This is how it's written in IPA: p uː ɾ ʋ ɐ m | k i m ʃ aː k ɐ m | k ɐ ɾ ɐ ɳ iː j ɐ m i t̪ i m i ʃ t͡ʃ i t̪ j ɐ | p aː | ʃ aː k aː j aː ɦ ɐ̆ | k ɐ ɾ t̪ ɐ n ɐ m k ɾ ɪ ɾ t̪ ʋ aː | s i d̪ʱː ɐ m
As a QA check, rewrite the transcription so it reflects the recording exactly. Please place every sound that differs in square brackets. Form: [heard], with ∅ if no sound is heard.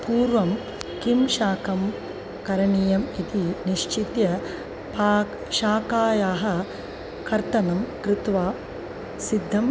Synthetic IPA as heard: p uː ɾ ʋ ɐ m | k i m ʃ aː k ɐ m | k ɐ ɾ ɐ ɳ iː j ɐ m i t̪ i [n] i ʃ t͡ʃ i t̪ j ɐ | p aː | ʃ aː k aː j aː ɦ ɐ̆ | k ɐ ɾ t̪ ɐ n ɐ m k ɾ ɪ [∅] t̪ ʋ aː | s i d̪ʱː ɐ m